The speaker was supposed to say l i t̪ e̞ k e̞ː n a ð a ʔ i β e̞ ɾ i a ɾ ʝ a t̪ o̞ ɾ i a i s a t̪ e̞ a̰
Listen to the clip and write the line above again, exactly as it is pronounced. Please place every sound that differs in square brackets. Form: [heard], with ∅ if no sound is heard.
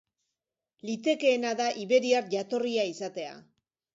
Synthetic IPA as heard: l i t̪ e̞ k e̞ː n a ð a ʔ i β e̞ ɾ i a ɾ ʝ a t̪ o̞ [r] i a i s a t̪ e̞ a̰